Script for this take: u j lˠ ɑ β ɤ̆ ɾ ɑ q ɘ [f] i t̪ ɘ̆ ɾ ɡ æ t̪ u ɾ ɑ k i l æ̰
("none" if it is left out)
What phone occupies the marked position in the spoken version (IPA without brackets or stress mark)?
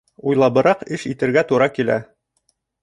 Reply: ʃ